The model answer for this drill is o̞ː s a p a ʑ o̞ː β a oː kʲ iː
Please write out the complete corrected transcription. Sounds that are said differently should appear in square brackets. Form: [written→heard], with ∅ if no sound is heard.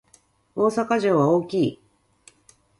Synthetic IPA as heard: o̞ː s a [p→k] a ʑ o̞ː β a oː kʲ iː